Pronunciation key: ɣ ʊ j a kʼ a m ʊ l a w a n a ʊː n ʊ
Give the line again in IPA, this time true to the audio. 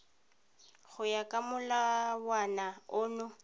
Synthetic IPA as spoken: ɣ ʊ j a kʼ a m ʊ l a w a n a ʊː n ʊ